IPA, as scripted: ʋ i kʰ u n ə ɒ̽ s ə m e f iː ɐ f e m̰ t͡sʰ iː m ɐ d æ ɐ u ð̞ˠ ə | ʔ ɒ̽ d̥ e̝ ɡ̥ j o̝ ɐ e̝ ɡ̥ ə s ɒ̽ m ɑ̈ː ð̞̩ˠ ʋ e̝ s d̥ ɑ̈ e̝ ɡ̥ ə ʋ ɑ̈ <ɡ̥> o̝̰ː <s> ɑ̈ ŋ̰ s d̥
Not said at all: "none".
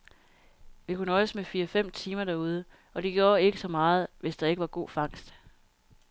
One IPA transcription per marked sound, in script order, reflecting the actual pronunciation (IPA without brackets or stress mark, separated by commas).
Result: ɡ̥, f